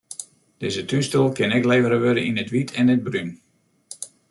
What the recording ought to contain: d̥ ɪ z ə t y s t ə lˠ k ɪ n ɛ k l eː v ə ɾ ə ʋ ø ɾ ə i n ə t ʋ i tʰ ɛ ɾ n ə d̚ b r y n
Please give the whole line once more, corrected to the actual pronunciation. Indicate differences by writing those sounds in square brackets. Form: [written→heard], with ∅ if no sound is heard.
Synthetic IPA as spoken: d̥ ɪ z ə t y s t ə lˠ k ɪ n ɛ k l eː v ə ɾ ə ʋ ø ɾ ə i n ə t ʋ i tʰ ɛ [ɾ→∅] n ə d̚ b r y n